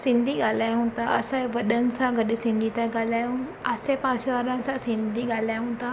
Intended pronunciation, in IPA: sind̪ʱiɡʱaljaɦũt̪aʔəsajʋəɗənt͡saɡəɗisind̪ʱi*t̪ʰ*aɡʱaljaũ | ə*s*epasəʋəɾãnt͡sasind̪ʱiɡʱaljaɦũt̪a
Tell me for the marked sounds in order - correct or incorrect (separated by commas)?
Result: incorrect, correct